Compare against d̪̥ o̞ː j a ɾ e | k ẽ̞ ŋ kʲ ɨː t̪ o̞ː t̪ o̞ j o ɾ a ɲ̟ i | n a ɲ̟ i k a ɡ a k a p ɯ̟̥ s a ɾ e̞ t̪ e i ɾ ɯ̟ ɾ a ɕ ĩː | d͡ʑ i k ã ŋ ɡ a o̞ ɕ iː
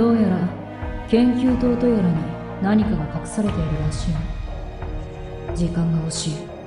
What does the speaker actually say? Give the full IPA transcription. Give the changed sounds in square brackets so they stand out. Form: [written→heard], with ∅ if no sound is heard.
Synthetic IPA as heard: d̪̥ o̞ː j a ɾ [e→a] | k ẽ̞ ŋ kʲ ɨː t̪ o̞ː t̪ o̞ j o ɾ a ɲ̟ i | n a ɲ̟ i k a ɡ a k a [p→k] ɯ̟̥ s a ɾ e̞ t̪ e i ɾ ɯ̟ ɾ a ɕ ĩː | d͡ʑ i k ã ŋ ɡ a o̞ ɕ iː

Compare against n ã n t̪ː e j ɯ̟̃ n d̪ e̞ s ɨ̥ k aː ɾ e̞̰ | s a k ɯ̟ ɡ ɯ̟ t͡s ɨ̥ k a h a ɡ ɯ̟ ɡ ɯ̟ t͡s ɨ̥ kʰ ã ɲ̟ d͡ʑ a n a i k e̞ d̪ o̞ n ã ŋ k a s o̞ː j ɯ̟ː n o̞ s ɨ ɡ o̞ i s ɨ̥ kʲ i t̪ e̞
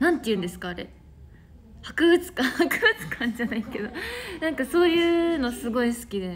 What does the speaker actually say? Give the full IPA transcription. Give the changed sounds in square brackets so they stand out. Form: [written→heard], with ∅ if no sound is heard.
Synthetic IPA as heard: n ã n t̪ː e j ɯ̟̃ n d̪ e̞ s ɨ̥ k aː ɾ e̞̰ | [s→h] a k ɯ̟ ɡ ɯ̟ t͡s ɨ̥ k a h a [ɡ→k] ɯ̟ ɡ ɯ̟ t͡s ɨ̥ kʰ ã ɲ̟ d͡ʑ a n a i k e̞ d̪ o̞ n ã ŋ k a s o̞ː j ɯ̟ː n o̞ s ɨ ɡ o̞ i s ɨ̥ kʲ i [t̪→d̪] e̞

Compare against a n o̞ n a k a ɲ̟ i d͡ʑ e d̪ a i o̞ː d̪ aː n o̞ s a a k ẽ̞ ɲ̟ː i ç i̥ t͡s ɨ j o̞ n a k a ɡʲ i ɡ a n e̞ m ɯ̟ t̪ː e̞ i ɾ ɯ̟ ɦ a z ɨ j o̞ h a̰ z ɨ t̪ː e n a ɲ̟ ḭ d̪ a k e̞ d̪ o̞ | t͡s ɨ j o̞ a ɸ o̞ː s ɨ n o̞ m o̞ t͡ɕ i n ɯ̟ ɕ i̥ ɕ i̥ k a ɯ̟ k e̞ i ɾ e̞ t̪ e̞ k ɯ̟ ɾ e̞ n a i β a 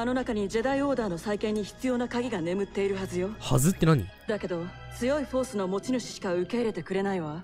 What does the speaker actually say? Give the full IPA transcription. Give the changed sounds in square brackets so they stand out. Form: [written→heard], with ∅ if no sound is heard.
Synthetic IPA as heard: a n o̞ n a k a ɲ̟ i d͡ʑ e d̪ a i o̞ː d̪ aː n o̞ s a [a→i] k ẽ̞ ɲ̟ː i ç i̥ t͡s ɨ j o̞ n a k a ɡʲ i ɡ a n e̞ m ɯ̟ t̪ː e̞ i ɾ ɯ̟ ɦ a z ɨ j o̞ h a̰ z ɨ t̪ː e n a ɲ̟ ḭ d̪ a k e̞ d̪ o̞ | t͡s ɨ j o̞ [a→i] ɸ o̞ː s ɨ n o̞ m o̞ t͡ɕ i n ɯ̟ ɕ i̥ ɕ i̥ k a ɯ̟ k e̞ i ɾ e̞ t̪ e̞ k ɯ̟ ɾ e̞ n a i β a

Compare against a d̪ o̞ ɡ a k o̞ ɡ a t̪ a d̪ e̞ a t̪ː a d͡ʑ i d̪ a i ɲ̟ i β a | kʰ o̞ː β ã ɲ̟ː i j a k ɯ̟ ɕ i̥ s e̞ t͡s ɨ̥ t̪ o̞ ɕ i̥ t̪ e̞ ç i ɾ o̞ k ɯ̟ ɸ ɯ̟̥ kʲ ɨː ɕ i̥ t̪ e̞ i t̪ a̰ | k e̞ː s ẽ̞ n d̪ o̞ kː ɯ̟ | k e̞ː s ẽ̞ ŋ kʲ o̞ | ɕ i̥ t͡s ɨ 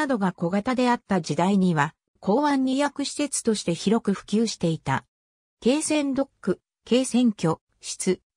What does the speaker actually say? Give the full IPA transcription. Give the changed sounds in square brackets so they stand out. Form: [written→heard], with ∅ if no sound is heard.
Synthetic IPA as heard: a d̪ o̞ ɡ a k o̞ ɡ a t̪ a d̪ e̞ a t̪ː a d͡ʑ i d̪ a i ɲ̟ i β a | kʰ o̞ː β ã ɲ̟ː i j a k ɯ̟ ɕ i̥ s e̞ t͡s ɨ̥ t̪ o̞ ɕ i̥ t̪ e̞ ç i ɾ o̞ k ɯ̟ ɸ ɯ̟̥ kʲ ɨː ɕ i̥ t̪ e̞ i t̪ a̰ | k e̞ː s ẽ̞ n d̪ o̞ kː ɯ̟ | k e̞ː s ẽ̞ ŋ kʲ o̞ | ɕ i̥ t͡s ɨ

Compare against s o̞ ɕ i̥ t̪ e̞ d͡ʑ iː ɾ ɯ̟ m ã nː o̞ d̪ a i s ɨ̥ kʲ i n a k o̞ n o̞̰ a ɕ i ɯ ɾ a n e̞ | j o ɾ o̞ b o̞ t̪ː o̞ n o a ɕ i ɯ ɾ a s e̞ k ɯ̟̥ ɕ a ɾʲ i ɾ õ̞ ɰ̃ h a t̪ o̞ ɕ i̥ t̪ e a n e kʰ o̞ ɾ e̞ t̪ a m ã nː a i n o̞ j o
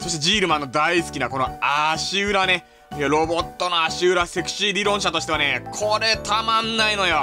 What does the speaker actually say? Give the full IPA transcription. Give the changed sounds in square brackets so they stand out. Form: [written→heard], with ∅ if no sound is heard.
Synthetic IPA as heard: s o̞ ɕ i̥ t̪ e̞ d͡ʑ iː ɾ ɯ̟ m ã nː o̞ d̪ a i s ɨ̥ kʲ i n a k o̞ n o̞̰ a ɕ i ɯ ɾ a n e̞ | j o ɾ o̞ b o̞ t̪ː o̞ n o a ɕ i ɯ ɾ a s e̞ k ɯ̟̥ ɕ [a→i] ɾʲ i ɾ õ̞ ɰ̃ [h→ɕ] a t̪ o̞ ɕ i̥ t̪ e a n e kʰ o̞ ɾ e̞ t̪ a m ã nː a i n o̞ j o

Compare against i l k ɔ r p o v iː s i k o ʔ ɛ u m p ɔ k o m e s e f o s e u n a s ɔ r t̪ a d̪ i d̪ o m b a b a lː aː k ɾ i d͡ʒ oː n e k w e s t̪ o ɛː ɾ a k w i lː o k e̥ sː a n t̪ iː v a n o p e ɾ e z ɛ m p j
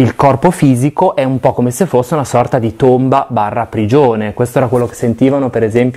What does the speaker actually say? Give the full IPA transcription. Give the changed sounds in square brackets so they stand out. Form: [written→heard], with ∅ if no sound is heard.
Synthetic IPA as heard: i l k ɔ r p o [v→f] iː [s→z] i k o ʔ ɛ u m p ɔ k o m e s e f o [s→sː] e u n a s ɔ r t̪ a d̪ i [d̪→t̪] o m b a b a [lː→rː] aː [k→p] ɾ i d͡ʒ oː n e k w e s t̪ o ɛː ɾ a k w [i→e] lː o k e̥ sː [a→e] n t̪ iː v a n o p e ɾ e z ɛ m p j

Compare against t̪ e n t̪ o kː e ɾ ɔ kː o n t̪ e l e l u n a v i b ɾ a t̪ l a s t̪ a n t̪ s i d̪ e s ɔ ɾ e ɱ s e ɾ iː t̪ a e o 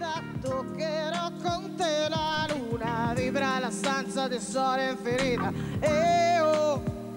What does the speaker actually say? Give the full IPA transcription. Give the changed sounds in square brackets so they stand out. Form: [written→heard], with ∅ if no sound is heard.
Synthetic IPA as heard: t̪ [e→a] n t̪ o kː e ɾ ɔ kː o n t̪ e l [e→a] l u n a v i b ɾ a [t̪→∅] l a s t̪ a n t̪ s [i→a] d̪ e s ɔ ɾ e ɱ [s→f] e ɾ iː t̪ a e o

